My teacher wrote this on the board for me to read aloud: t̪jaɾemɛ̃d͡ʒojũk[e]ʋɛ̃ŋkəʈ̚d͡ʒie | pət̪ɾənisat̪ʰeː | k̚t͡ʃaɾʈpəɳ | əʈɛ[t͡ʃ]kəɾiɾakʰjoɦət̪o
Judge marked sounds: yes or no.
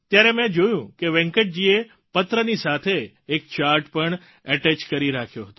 yes, yes

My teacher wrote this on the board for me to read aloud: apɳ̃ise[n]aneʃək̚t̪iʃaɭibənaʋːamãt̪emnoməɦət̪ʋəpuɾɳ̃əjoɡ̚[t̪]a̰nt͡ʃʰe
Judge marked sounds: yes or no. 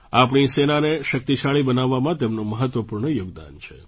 yes, no

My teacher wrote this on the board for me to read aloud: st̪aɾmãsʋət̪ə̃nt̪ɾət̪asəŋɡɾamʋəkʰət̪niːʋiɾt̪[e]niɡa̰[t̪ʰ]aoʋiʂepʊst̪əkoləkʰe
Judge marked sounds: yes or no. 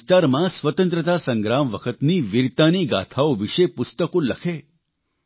no, yes

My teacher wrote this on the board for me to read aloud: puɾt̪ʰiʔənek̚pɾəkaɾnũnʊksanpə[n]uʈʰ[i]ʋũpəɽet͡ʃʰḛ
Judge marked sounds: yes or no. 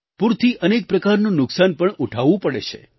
no, no

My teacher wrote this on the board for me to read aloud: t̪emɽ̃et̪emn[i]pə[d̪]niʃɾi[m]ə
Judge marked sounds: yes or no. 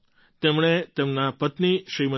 no, no, yes

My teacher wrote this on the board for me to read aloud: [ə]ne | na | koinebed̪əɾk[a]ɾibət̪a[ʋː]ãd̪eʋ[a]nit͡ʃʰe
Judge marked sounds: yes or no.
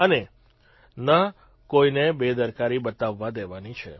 yes, yes, yes, yes

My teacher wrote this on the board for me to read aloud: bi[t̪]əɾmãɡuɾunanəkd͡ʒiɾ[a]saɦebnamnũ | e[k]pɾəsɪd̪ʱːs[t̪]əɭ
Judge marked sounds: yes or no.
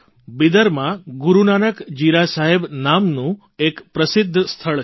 no, yes, yes, no

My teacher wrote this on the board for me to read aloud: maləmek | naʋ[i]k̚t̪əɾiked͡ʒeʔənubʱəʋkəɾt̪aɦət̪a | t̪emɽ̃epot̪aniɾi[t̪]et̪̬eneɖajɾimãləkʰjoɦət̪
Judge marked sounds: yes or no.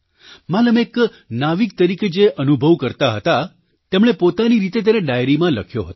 yes, yes

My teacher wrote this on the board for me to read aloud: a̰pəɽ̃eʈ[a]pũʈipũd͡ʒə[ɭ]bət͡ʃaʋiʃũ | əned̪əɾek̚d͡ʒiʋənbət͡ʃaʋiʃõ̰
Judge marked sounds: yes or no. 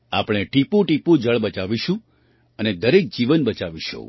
no, yes

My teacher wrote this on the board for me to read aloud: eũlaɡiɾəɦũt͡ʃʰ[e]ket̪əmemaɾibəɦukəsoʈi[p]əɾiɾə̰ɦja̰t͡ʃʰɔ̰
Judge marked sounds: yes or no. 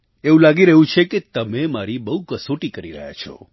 yes, no

